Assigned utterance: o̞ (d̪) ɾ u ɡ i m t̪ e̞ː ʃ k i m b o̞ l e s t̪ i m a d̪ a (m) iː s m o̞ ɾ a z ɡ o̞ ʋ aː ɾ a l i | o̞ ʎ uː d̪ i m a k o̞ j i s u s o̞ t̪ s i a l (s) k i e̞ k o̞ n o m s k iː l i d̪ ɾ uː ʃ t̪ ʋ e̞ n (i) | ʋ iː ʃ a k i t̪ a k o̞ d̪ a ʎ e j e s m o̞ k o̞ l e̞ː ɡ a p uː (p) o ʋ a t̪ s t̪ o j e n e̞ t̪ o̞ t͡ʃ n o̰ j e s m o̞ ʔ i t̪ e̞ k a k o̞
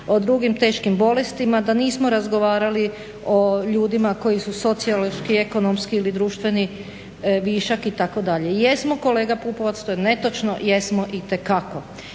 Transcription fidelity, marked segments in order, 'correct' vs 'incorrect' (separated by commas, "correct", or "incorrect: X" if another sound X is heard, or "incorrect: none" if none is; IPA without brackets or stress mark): correct, incorrect: n, incorrect: ʃ, correct, correct